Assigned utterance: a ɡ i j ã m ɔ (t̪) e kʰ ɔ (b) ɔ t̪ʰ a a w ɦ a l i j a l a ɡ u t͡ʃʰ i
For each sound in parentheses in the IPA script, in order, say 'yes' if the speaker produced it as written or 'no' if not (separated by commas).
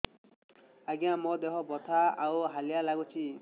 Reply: no, yes